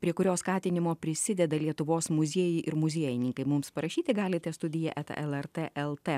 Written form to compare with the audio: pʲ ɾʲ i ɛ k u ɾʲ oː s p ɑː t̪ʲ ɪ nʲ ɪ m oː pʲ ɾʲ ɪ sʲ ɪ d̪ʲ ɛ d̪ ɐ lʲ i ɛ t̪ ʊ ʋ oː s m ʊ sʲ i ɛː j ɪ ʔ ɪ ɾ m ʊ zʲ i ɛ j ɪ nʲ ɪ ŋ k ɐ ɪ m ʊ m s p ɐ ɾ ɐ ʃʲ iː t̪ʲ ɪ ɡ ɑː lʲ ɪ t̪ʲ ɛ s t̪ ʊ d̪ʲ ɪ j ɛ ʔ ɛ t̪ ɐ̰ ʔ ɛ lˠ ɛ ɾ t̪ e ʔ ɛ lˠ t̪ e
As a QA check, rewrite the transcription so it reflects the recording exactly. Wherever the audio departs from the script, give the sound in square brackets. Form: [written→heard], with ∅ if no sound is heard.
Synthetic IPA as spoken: pʲ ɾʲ i ɛ k [u→ʊ] ɾʲ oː s [p→k] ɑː t̪ʲ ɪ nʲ ɪ m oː pʲ ɾʲ ɪ sʲ ɪ d̪ʲ ɛ d̪ ɐ lʲ i ɛ t̪ ʊ ʋ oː s m ʊ [sʲ→zʲ] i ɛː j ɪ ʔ ɪ ɾ m ʊ zʲ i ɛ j ɪ nʲ ɪ ŋ k ɐ ɪ m ʊ m s p ɐ ɾ ɐ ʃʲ iː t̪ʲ ɪ ɡ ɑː lʲ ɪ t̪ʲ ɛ s t̪ ʊ d̪ʲ ɪ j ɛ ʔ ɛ t̪ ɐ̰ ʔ ɛ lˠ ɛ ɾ t̪ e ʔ ɛ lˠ t̪ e